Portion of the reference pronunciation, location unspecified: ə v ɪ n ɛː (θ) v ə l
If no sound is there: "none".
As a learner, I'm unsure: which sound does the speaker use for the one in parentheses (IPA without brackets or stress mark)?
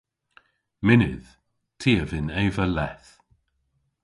none